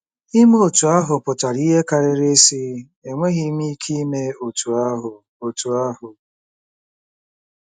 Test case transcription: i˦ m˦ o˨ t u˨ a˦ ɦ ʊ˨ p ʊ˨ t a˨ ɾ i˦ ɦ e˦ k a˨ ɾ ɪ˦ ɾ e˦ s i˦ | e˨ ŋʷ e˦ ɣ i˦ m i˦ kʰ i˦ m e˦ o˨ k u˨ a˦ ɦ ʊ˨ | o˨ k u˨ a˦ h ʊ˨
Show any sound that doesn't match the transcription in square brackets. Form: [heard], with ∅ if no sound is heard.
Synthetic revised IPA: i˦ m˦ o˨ t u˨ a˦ ɦ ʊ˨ p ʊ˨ t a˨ ɾ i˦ ɦ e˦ k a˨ ɾ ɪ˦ ɾ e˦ s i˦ | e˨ ŋʷ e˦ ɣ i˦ m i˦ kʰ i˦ m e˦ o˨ [t] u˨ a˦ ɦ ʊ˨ | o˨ [t] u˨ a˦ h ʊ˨

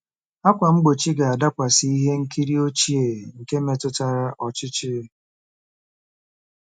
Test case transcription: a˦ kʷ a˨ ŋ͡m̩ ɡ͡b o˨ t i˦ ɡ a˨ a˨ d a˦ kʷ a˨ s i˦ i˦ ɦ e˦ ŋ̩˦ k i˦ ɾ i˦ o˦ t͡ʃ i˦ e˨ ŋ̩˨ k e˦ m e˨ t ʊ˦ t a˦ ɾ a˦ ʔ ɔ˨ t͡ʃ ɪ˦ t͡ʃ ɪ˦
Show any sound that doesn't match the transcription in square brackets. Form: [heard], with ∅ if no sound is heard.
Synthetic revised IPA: a˦ kʷ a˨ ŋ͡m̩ ɡ͡b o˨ [t͡ʃ] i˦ ɡ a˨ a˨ d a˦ kʷ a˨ s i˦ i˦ ɦ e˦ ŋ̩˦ k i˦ ɾ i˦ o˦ t͡ʃ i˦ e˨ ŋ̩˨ k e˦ m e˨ t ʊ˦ t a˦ ɾ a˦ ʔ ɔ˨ t͡ʃ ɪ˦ t͡ʃ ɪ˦

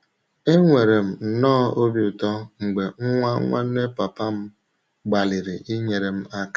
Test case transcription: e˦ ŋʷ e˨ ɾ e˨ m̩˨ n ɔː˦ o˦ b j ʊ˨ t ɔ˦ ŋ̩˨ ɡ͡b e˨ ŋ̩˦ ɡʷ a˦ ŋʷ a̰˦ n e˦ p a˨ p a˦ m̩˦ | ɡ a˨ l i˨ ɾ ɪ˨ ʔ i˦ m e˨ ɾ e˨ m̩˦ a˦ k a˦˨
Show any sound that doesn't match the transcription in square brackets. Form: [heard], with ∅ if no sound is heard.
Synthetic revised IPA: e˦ ŋʷ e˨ ɾ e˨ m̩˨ n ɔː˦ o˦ b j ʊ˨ t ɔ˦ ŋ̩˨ ɡ͡b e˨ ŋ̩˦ [ŋʷ] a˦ ŋʷ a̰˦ n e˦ p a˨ p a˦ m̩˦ | [ɡ͡b] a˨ l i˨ ɾ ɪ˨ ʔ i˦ [ɲ] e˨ ɾ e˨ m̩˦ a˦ k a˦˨

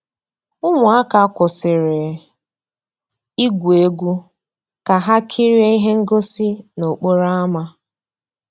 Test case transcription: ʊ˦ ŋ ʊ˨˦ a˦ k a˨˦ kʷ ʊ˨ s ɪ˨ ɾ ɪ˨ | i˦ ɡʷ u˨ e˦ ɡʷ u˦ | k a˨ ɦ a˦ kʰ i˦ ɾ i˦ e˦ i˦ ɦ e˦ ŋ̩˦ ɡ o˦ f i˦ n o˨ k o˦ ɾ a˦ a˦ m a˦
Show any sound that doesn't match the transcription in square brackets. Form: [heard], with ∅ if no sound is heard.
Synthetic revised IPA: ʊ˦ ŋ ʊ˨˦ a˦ k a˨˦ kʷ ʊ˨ s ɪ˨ ɾ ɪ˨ | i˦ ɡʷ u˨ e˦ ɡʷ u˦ | k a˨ ɦ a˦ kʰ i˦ ɾ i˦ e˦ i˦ ɦ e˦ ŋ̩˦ ɡ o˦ [s] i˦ n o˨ [k͡p] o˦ ɾ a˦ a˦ m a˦

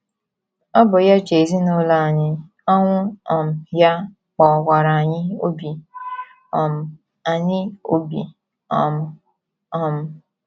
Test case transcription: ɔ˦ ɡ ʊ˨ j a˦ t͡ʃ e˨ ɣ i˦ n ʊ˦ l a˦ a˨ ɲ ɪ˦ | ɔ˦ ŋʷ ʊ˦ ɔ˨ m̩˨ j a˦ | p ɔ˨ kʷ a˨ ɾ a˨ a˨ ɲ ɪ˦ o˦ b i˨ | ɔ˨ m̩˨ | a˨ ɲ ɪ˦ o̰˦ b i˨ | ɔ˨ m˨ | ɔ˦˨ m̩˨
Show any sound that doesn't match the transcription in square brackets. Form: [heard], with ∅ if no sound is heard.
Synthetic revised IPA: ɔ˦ [b] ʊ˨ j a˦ t͡ʃ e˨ [z] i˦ n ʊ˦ l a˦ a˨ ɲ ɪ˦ | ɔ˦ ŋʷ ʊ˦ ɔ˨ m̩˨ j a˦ | [k͡p] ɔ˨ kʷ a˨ ɾ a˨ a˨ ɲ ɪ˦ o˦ b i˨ | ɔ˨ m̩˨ | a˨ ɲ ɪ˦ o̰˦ b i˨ | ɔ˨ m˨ | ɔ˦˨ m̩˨

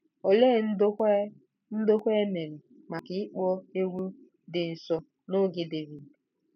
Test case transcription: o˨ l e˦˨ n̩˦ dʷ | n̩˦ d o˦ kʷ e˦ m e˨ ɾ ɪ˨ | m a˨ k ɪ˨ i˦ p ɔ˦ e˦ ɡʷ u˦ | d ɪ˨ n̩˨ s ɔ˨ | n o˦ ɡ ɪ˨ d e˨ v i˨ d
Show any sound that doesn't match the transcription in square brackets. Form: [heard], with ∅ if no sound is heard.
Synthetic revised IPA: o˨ l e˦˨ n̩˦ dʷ | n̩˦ d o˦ kʷ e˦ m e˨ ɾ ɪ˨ | m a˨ k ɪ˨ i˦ [k͡p] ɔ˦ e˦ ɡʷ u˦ | d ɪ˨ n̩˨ s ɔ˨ | n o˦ ɡ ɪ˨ d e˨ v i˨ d

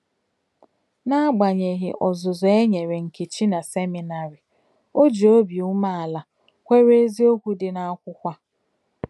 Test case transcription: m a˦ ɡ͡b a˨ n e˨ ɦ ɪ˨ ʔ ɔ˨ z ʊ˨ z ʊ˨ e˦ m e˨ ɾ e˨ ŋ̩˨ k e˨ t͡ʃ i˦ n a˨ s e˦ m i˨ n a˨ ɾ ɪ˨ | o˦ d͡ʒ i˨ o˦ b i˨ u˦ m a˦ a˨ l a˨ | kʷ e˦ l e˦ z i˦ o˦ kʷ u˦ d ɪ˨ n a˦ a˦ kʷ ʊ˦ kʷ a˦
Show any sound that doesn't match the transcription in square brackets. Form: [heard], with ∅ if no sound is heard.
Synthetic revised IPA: [n] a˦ ɡ͡b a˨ [ɲ] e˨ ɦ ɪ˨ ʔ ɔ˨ z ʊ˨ z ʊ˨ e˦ [ɲ] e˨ ɾ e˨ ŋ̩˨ k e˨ t͡ʃ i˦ n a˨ s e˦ m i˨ n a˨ ɾ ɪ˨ | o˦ d͡ʒ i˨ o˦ b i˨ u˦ m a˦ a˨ l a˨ | kʷ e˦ [ɾ] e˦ z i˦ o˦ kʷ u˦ d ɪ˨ n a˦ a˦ kʷ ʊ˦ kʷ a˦

